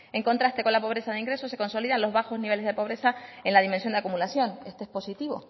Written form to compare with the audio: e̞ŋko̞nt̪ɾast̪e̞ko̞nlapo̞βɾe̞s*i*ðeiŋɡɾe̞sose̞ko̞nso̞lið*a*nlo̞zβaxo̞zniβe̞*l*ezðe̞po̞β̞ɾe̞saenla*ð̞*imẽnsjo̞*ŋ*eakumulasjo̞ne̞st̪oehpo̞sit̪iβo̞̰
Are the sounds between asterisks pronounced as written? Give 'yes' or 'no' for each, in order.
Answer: no, yes, yes, yes, no

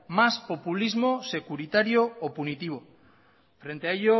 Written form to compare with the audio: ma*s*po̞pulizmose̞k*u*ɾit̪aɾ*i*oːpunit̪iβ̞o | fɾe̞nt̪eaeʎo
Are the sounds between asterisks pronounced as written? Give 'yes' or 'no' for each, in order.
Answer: yes, yes, no

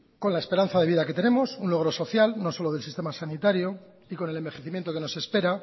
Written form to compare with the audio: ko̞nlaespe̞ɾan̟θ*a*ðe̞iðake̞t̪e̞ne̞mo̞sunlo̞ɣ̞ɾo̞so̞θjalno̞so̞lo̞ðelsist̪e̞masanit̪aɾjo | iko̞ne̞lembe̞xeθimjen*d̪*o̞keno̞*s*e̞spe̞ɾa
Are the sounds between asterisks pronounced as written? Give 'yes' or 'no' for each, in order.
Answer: yes, no, yes

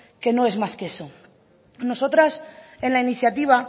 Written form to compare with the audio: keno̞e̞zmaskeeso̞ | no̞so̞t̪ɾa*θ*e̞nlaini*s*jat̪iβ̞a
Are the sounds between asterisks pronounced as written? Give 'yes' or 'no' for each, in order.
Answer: no, no

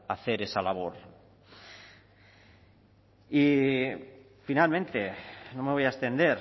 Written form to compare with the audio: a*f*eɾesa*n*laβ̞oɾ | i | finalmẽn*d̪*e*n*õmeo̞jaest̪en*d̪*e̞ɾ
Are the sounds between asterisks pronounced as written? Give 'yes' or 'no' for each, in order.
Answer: no, no, no, yes, yes

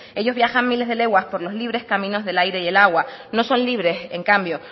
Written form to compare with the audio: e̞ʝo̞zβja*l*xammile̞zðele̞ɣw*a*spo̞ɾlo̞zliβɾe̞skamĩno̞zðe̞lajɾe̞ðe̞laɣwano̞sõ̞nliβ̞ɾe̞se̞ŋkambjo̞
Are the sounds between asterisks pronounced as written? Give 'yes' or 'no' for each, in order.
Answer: no, yes

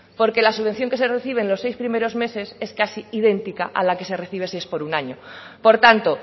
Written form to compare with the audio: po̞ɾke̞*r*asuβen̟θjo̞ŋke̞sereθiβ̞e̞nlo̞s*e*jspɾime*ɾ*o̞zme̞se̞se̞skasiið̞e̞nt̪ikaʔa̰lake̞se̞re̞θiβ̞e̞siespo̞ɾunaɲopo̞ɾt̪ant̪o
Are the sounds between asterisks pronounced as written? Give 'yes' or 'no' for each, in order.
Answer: no, yes, yes

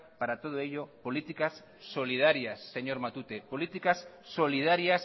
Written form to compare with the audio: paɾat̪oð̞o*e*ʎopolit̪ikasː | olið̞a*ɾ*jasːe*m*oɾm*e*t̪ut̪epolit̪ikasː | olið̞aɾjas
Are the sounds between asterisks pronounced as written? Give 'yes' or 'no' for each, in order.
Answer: yes, yes, no, no

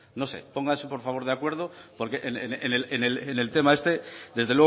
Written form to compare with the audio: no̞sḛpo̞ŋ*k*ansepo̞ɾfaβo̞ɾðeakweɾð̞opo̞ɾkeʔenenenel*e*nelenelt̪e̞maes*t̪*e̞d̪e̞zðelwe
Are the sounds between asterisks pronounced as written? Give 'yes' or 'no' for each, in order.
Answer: no, yes, yes

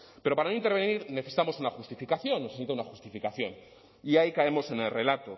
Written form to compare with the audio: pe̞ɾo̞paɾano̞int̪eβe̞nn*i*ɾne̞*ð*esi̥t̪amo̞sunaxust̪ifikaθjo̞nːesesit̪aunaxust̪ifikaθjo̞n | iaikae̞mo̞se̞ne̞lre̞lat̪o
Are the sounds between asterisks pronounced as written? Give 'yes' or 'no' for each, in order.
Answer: yes, no

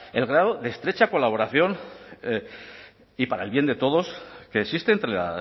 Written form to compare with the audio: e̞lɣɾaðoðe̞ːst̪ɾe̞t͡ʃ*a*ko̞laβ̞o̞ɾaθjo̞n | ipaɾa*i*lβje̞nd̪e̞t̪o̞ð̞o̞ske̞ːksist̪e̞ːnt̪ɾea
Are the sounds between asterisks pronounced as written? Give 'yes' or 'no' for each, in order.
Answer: yes, no

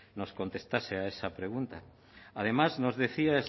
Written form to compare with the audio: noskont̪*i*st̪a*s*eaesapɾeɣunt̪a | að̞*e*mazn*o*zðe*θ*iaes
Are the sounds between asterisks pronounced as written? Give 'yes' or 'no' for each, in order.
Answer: no, yes, yes, yes, yes

